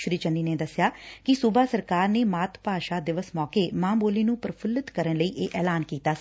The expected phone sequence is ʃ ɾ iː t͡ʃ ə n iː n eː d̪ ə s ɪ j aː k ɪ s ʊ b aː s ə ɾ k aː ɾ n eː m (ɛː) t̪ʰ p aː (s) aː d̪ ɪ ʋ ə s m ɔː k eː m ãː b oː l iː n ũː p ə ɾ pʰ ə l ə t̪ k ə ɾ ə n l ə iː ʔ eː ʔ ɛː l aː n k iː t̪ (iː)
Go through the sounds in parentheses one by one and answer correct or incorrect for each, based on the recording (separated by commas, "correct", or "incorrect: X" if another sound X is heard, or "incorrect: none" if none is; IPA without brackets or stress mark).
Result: incorrect: aː, incorrect: ʃ, incorrect: aː